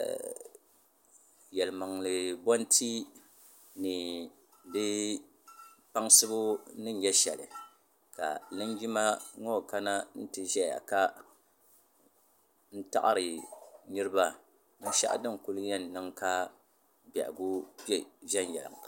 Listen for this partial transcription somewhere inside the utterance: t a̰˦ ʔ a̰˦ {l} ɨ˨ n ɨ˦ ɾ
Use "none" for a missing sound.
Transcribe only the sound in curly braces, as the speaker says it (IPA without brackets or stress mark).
ɾ